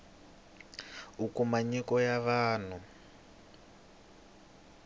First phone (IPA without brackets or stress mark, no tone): u